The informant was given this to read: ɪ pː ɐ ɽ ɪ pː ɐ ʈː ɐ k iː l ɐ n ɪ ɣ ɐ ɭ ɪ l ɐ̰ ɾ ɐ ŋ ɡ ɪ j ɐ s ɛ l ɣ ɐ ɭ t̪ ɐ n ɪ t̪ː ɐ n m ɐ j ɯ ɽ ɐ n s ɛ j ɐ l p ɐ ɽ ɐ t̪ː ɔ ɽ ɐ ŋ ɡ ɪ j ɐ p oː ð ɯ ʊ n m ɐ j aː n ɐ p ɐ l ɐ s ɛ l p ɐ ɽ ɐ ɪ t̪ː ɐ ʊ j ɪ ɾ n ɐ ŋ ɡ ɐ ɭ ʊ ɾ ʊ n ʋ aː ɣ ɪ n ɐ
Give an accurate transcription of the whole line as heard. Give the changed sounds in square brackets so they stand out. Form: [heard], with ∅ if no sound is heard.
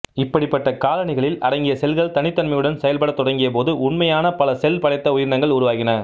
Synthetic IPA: ɪ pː ɐ ɽ ɪ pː ɐ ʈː ɐ k [aː] l ɐ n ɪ ɣ ɐ ɭ ɪ l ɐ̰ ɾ ɐ ŋ ɡ ɪ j ɐ s ɛ l ɣ ɐ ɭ t̪ ɐ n ɪ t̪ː ɐ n m ɐ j ɯ ɽ ɐ n s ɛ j ɐ l p ɐ ɽ ɐ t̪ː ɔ ɽ ɐ ŋ ɡ ɪ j ɐ p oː ð ɯ ʊ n m ɐ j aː n ɐ p ɐ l ɐ s ɛ l p ɐ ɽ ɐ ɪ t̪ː ɐ ʊ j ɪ ɾ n ɐ ŋ ɡ ɐ ɭ ʊ ɾ ʊ [∅] ʋ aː ɣ ɪ n ɐ